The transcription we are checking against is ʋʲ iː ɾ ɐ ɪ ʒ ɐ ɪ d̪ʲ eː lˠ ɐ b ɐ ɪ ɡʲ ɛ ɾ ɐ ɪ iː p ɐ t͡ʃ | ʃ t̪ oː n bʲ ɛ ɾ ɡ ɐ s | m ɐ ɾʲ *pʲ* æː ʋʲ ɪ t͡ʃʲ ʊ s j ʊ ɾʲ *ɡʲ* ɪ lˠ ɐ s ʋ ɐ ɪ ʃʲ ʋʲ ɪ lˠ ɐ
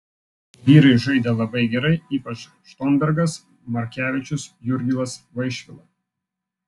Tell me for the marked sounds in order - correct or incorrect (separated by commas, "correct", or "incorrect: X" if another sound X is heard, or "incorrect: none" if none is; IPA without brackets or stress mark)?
incorrect: kʲ, correct